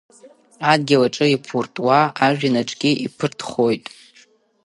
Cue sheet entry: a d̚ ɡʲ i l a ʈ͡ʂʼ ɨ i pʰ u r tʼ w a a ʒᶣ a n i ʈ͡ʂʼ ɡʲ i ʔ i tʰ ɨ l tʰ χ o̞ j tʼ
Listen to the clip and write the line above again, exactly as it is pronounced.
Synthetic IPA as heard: a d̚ ɡʲ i l a ʈ͡ʂʼ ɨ i pʰ u r tʼ w a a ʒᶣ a n a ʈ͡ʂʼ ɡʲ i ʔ i pʰ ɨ r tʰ χ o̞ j tʼ